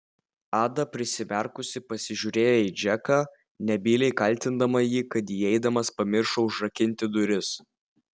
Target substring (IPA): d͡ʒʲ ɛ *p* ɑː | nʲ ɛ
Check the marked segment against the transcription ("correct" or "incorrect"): incorrect